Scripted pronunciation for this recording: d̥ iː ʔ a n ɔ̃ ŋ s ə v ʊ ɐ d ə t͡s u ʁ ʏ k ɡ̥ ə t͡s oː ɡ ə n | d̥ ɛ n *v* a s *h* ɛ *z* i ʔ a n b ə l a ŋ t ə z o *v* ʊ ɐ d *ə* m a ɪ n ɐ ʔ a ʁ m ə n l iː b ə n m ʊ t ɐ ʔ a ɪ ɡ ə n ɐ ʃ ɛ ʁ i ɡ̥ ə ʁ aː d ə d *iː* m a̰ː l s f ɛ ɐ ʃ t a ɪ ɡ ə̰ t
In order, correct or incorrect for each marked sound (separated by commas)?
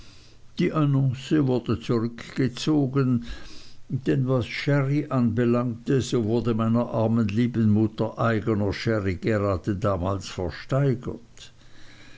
correct, incorrect, incorrect, correct, correct, incorrect